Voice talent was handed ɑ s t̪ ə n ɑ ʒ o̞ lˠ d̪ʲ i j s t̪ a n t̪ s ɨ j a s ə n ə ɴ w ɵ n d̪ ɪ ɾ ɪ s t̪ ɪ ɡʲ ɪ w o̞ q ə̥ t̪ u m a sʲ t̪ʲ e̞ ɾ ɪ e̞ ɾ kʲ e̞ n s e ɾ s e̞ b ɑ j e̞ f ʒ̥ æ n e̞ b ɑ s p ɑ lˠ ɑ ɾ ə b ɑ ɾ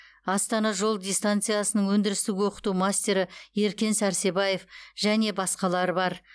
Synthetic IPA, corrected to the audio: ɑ s t̪ ɑ n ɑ ʒ o̞ lˠ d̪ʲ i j s t̪ a n t̪ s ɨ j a s ə n ə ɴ w ɵ n d̪ ɪ ɾ ɪ s t̪ ɪ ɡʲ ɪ w o̞ q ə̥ t̪ u m a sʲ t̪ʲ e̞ ɾ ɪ e̞ ɾ kʲ e̞ n s æ ɾ s e̞ b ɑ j e̞ f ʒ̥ æ n e̞ b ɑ s q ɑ lˠ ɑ ɾ ə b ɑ ɾ